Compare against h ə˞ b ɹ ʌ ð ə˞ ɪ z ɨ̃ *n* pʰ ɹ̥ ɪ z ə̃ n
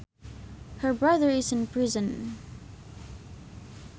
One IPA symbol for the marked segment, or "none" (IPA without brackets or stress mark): n